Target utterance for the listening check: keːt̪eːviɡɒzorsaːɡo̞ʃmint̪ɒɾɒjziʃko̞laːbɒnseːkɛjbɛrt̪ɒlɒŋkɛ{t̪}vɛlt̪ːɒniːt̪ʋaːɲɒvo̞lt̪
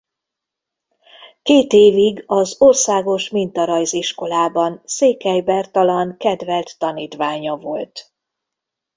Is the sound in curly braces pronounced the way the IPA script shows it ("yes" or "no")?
no